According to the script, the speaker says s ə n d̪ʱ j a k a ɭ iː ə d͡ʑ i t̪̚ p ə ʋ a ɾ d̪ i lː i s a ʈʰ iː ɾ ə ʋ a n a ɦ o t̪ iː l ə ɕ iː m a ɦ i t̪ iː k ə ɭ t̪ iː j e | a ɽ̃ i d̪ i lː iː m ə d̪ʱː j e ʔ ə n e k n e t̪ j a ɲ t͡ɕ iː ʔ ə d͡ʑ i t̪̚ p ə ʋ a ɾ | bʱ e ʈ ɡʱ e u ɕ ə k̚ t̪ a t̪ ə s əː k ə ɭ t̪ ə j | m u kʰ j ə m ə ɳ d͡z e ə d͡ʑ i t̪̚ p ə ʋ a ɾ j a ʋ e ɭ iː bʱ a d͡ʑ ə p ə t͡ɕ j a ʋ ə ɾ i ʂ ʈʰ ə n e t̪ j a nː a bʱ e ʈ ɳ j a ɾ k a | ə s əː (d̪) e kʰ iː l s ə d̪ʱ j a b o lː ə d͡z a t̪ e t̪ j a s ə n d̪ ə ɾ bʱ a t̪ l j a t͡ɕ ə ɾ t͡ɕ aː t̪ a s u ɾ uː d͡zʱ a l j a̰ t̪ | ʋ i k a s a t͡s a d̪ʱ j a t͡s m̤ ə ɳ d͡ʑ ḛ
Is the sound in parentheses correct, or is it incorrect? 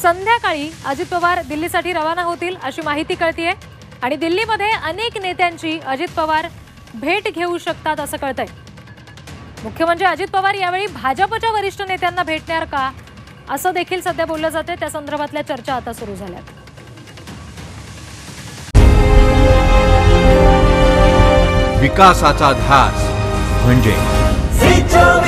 correct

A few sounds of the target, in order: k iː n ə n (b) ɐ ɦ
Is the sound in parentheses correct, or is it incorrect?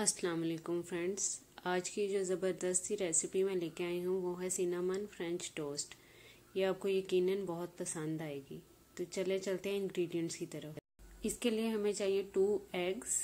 correct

